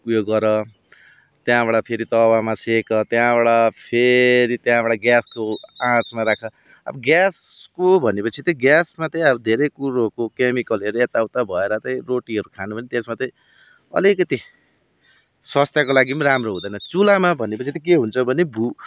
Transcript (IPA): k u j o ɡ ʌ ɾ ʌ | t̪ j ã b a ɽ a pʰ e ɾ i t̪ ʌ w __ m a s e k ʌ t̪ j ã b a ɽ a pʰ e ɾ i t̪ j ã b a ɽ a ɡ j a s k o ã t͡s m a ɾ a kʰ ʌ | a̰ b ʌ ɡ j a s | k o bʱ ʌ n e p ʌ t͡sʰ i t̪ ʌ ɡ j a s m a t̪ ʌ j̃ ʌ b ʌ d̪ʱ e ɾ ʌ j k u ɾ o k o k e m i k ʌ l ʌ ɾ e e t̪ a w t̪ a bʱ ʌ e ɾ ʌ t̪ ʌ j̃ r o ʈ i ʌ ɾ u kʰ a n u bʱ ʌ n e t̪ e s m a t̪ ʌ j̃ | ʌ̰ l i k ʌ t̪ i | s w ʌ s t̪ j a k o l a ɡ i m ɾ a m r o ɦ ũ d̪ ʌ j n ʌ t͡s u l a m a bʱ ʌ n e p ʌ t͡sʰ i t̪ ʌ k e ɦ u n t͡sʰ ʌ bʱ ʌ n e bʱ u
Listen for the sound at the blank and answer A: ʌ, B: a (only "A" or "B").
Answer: B